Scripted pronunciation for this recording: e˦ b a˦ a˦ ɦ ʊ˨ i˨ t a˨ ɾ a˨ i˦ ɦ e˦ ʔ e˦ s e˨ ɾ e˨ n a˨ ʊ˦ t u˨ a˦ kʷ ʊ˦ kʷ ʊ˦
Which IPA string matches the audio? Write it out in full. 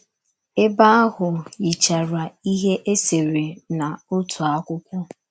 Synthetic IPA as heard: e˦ b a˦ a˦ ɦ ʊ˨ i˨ t͡ʃ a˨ ɾ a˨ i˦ ɦ e˦ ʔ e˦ s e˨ ɾ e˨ n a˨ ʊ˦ t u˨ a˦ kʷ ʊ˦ kʷ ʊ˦